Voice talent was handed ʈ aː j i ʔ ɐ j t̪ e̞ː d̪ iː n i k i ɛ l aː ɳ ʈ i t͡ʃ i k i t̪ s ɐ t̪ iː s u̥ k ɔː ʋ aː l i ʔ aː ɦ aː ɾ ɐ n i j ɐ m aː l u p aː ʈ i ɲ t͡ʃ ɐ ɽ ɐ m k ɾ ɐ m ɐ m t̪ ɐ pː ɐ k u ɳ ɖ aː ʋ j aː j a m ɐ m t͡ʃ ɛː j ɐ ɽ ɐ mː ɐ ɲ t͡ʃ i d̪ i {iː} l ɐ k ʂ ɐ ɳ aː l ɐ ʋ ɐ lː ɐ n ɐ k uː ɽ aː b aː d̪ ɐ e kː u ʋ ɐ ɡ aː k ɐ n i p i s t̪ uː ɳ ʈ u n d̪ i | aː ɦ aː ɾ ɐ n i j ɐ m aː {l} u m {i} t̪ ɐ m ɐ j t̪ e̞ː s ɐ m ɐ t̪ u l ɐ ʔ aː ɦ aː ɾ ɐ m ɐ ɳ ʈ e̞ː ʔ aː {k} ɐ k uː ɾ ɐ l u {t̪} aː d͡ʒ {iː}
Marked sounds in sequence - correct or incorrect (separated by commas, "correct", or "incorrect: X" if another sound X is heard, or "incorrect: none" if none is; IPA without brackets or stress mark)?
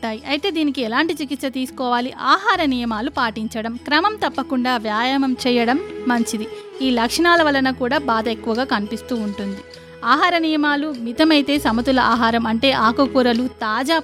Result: correct, correct, correct, correct, correct, incorrect: aː